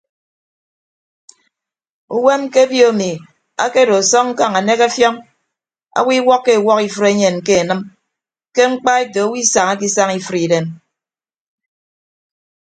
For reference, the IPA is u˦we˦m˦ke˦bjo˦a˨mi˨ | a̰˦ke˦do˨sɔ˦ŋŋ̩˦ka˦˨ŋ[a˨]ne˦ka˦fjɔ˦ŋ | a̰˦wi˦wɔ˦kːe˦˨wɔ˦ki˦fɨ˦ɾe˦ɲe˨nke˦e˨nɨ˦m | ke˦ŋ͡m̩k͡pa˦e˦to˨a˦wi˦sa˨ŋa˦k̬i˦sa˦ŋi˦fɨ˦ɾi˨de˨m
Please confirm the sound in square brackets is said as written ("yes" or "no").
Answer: yes